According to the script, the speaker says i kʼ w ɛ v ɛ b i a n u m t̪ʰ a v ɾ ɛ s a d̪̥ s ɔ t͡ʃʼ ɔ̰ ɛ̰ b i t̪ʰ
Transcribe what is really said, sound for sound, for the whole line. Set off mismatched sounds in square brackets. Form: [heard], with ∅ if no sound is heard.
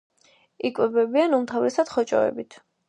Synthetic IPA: i kʼ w ɛ [b] ɛ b i a n u m t̪ʰ a v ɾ ɛ s a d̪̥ [χ] ɔ t͡ʃʼ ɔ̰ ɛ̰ b i t̪ʰ